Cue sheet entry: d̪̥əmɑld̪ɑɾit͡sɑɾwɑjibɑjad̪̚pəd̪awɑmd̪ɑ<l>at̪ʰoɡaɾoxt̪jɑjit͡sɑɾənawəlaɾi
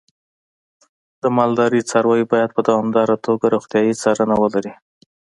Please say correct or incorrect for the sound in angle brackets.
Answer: incorrect